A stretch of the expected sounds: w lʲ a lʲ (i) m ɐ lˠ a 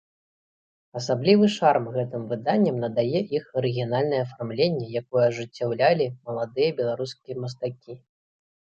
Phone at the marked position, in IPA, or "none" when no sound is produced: i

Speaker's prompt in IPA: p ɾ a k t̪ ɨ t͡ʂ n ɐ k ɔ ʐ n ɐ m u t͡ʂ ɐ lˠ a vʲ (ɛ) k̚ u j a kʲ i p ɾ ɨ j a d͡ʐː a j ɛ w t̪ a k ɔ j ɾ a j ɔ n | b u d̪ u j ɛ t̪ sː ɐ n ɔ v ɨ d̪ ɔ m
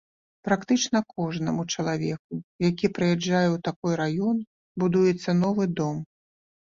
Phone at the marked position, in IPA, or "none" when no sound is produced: ɛ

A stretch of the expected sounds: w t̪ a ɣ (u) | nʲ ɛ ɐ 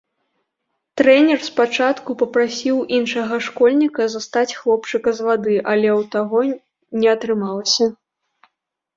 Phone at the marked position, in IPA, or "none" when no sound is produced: ɔ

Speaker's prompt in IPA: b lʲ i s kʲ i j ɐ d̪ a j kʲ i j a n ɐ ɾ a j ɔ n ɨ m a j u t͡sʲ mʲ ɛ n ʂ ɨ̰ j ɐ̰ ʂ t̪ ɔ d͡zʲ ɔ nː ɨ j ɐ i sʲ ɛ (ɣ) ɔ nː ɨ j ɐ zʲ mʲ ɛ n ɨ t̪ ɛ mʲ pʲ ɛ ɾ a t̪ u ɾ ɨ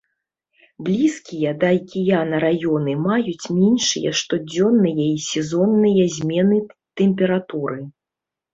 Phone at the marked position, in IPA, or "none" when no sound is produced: z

